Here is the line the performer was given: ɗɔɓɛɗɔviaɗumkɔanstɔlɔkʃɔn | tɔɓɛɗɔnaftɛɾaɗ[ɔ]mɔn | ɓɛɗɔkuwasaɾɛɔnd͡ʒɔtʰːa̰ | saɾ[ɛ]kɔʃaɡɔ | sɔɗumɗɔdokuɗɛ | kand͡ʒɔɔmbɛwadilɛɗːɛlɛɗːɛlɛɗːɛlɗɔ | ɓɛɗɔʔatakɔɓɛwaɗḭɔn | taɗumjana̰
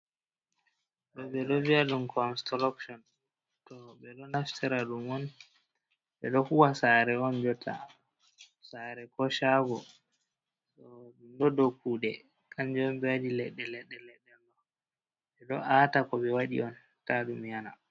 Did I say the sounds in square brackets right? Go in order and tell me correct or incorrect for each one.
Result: incorrect, correct

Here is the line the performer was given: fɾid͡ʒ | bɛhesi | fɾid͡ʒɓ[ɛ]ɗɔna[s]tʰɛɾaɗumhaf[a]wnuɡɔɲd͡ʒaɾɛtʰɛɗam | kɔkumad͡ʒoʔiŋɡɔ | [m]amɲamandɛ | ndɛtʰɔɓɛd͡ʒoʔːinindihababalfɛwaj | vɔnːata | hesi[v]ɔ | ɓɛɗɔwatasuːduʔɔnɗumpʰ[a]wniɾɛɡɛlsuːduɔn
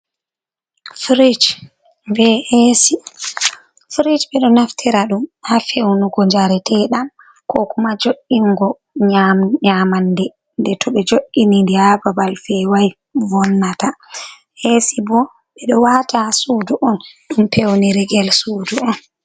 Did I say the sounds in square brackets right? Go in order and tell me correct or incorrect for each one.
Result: correct, incorrect, incorrect, incorrect, incorrect, incorrect

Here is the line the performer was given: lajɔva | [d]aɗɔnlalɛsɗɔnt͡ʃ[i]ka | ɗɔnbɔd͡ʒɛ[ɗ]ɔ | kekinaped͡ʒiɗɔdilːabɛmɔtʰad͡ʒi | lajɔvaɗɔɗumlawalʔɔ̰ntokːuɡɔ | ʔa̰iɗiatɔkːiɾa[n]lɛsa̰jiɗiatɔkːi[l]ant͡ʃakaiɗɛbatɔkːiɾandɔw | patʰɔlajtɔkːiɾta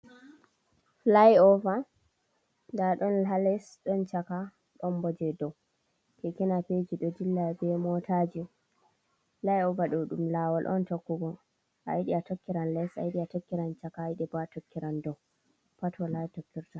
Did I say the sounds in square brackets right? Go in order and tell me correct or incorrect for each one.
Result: correct, incorrect, incorrect, correct, incorrect

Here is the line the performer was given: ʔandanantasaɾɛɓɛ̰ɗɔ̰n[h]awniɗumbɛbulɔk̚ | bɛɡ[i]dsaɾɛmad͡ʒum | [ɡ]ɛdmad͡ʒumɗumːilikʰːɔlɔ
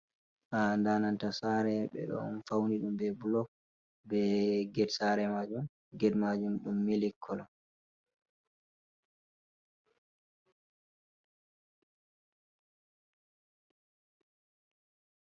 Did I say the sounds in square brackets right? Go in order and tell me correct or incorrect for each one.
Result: incorrect, incorrect, correct

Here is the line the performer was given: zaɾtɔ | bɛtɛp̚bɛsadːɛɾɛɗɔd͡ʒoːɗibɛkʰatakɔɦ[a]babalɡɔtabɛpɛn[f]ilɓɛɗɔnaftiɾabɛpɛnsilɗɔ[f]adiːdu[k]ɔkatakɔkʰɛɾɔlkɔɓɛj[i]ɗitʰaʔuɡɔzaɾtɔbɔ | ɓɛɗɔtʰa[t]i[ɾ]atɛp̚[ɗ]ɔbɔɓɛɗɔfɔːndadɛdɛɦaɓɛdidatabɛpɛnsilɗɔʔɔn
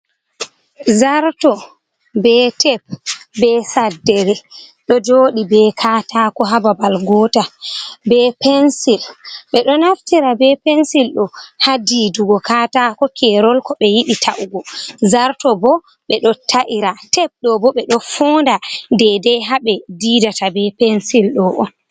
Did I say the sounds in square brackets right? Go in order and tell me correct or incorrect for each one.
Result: correct, incorrect, incorrect, incorrect, correct, incorrect, correct, correct

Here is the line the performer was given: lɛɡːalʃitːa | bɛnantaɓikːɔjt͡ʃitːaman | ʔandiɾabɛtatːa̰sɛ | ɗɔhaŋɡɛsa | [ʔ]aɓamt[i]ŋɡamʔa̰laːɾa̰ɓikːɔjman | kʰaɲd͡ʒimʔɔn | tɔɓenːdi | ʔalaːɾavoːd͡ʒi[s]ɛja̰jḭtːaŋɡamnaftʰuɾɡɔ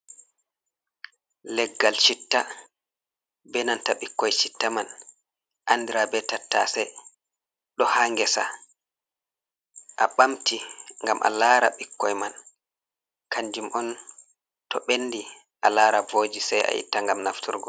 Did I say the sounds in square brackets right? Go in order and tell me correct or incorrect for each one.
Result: correct, correct, correct

